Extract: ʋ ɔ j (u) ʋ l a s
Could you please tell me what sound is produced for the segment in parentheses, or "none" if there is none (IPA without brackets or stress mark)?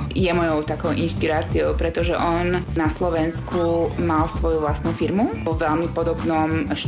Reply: u